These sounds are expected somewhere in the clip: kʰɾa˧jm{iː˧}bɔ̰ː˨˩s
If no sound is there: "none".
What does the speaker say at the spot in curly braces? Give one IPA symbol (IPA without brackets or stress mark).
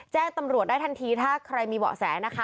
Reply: iː˧